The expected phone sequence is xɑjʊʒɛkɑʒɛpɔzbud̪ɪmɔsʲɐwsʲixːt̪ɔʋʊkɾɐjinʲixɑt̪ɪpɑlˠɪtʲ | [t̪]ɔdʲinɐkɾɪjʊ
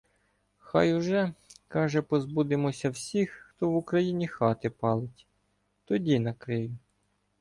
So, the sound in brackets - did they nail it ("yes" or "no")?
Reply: yes